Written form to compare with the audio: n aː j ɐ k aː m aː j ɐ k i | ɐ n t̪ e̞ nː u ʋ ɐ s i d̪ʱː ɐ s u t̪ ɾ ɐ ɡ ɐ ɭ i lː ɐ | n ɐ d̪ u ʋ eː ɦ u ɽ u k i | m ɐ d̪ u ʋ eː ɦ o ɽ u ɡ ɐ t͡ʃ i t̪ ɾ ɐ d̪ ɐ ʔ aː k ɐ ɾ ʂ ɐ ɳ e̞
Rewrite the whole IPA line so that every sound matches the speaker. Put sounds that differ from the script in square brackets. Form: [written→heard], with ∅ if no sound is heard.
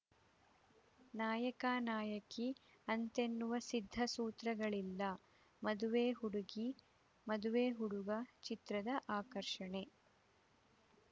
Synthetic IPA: n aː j ɐ k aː [m→n] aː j ɐ k i | ɐ n t̪ e̞ nː u ʋ ɐ s i d̪ʱː ɐ s [u→uː] t̪ ɾ ɐ ɡ ɐ ɭ i lː ɐ | [n→m] ɐ d̪ u ʋ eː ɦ u ɽ u [k→ɡ] i | m ɐ d̪ u ʋ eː ɦ [o→u] ɽ u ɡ ɐ t͡ʃ i t̪ ɾ ɐ d̪ ɐ ʔ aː k ɐ ɾ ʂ ɐ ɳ e̞